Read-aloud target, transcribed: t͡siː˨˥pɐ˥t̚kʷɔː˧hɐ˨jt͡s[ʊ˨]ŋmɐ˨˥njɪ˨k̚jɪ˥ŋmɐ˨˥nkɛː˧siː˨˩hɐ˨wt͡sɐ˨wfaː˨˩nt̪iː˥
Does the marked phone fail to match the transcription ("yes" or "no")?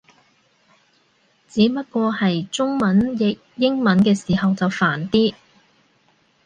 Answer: yes